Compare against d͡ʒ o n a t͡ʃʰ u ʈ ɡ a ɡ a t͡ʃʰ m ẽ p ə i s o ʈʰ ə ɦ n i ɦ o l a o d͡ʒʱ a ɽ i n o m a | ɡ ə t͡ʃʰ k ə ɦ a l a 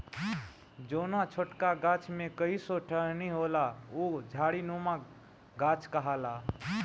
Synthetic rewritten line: d͡ʒ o n a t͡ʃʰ o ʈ k a ɡ a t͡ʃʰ m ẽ k ə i s o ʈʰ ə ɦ n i ɦ o l a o d͡ʒʱ a ɽ i n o m a | ɡ a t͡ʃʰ k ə ɦ a l a